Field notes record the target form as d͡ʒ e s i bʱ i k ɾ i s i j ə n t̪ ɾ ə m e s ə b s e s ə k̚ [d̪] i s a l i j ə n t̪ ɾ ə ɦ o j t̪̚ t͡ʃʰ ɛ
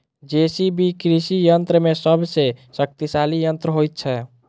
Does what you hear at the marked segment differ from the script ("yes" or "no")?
yes